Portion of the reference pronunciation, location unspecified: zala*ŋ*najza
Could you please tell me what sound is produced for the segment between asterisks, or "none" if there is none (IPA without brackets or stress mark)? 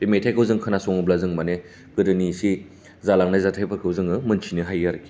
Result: ŋ